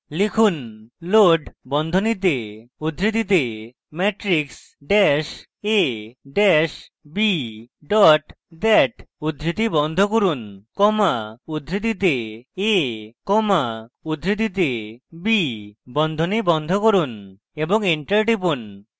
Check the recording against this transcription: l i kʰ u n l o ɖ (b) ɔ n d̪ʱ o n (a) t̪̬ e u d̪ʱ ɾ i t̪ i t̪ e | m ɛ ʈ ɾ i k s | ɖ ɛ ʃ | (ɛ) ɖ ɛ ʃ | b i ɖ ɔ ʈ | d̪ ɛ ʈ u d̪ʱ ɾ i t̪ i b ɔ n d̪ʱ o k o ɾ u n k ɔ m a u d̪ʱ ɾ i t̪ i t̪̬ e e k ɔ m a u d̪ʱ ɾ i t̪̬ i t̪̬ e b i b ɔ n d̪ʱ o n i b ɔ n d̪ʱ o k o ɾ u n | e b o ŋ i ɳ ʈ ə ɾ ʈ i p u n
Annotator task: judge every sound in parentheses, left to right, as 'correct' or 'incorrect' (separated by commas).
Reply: correct, incorrect, incorrect